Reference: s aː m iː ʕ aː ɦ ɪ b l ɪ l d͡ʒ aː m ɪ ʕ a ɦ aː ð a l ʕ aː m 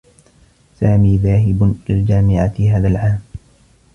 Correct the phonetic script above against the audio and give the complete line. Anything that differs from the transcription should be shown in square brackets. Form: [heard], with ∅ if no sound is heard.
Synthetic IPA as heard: s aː m iː [ð] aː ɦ ɪ b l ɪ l d͡ʒ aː m ɪ ʕ a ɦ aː ð a l ʕ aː m